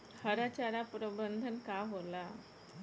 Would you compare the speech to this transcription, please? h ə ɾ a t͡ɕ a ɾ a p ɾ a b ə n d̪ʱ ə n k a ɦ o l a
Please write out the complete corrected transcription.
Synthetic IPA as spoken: h ə ɾ a t͡ɕ a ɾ a p ɾ ə b ə n d̪ʱ ə n k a ɦ o l a